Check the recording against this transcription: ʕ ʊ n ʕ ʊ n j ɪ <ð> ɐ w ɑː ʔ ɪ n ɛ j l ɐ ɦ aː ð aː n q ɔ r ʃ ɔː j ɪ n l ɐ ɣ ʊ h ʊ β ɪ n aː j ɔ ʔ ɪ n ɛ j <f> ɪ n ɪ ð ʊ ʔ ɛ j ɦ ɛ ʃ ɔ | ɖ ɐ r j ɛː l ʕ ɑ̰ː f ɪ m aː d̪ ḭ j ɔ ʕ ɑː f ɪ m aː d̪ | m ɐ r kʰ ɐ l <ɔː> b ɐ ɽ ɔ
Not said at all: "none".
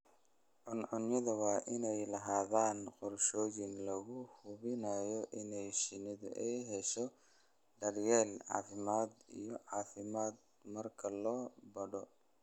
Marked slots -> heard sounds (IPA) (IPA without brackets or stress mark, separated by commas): ð, ʃ, ɔː